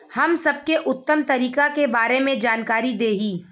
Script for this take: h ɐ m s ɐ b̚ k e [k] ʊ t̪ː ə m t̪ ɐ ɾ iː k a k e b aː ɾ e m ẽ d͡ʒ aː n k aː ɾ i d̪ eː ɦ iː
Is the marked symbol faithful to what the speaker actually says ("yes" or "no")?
no